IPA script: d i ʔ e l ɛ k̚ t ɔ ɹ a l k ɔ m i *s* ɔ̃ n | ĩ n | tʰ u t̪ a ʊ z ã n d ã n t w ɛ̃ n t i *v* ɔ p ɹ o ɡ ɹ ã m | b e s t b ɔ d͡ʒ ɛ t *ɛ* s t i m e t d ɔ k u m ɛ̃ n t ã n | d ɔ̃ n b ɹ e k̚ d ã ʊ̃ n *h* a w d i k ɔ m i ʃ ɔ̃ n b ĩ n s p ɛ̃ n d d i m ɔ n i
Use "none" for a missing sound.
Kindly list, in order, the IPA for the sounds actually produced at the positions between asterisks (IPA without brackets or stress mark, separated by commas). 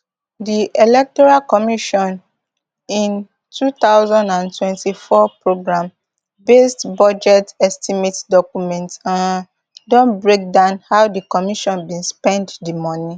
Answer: ʃ, f, ɛ, h